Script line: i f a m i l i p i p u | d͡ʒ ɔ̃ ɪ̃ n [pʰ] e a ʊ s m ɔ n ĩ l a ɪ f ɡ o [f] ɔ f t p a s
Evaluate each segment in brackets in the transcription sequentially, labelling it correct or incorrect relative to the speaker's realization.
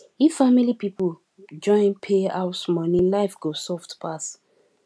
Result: correct, incorrect: s

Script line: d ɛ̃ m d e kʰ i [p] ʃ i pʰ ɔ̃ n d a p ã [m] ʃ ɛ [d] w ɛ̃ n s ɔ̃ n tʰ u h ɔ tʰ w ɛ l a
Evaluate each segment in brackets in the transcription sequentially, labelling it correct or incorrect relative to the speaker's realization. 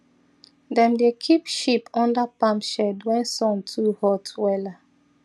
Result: correct, correct, correct

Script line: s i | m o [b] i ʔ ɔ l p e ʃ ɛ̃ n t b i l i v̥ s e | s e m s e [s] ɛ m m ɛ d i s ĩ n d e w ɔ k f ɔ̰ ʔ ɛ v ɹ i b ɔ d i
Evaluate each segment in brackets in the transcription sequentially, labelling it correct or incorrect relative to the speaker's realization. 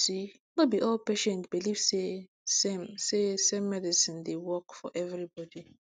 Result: correct, correct

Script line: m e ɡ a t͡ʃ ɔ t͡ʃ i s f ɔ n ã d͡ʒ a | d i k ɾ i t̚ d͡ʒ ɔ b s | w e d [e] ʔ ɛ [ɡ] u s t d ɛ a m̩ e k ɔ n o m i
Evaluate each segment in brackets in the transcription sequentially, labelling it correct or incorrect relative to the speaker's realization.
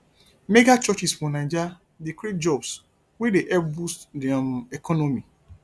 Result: correct, incorrect: b

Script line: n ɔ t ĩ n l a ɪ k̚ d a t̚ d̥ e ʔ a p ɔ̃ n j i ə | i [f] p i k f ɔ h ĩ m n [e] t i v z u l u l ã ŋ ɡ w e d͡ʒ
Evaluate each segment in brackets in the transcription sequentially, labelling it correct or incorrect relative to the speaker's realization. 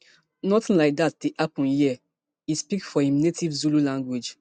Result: incorrect: s, correct

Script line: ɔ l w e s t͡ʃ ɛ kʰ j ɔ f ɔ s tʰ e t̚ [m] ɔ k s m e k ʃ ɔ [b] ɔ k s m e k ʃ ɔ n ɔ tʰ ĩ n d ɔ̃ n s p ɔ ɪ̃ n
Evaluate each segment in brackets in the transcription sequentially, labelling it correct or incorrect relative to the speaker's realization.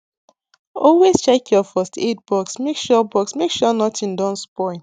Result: incorrect: b, correct

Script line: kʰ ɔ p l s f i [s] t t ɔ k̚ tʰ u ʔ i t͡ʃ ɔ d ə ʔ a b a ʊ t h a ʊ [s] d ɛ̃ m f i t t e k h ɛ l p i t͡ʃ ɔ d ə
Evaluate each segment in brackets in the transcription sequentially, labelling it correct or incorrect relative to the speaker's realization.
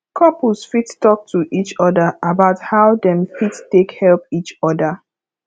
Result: incorrect: none, incorrect: none

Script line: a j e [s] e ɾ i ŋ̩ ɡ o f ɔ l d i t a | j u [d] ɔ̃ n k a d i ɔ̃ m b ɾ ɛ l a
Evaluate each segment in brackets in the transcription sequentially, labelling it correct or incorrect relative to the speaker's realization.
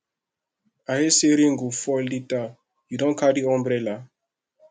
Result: correct, correct

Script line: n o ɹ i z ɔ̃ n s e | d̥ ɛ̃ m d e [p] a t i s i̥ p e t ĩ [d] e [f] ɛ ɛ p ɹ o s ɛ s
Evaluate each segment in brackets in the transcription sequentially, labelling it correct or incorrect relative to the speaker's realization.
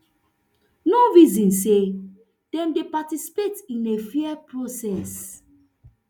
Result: correct, incorrect: n, correct

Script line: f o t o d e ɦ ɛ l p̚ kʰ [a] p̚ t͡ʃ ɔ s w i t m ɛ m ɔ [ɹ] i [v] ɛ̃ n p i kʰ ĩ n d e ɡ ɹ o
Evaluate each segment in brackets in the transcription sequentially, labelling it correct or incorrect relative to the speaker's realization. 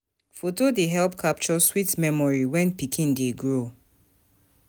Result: correct, correct, incorrect: w

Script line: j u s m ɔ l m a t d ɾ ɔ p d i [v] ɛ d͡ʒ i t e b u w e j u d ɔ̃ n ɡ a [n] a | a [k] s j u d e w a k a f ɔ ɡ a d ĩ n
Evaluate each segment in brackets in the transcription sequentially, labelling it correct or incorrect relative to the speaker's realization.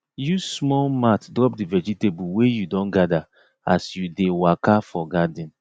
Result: correct, incorrect: d, incorrect: none

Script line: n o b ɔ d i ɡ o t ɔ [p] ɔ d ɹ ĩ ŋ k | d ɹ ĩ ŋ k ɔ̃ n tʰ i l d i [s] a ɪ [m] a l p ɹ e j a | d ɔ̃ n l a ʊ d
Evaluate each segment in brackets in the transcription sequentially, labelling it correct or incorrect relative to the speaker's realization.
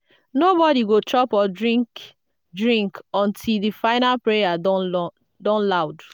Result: correct, incorrect: f, incorrect: n

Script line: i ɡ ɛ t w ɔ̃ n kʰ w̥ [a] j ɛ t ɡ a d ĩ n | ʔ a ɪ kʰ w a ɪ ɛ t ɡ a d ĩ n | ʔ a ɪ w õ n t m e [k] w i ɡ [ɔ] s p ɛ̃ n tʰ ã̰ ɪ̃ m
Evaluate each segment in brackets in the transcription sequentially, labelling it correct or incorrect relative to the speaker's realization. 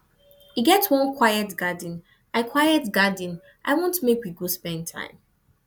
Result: correct, correct, incorrect: o

